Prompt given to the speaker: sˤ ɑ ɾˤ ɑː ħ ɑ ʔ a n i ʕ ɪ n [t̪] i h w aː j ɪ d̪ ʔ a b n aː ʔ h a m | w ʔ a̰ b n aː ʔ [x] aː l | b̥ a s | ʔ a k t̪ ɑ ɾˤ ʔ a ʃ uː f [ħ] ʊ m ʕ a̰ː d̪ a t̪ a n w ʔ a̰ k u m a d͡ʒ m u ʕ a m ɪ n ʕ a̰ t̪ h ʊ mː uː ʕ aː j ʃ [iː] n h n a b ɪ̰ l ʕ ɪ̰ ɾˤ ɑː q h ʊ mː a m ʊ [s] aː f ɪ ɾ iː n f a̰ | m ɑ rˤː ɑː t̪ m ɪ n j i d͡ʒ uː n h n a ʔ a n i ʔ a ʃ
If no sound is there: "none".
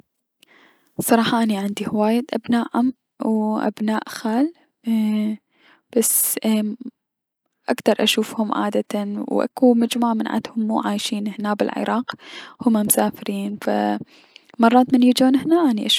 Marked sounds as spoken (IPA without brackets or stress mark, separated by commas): d̪, x, h, iː, s